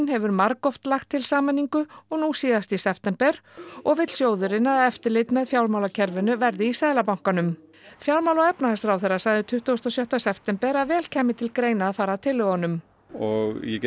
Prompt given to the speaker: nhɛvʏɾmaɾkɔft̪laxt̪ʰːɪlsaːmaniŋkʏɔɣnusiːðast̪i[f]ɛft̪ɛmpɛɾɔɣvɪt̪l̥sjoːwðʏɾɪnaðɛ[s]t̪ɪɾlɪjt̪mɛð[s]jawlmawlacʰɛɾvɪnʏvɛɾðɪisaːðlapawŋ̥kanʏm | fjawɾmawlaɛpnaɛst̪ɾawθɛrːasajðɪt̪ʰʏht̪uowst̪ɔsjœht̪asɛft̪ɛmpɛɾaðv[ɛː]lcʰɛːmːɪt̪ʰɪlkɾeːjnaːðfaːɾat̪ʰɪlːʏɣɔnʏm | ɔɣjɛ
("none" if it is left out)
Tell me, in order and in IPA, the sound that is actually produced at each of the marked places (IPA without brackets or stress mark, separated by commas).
s, f, f, ɛː